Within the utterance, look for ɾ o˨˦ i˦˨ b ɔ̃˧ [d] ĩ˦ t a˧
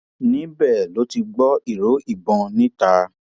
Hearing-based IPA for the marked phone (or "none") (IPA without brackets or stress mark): n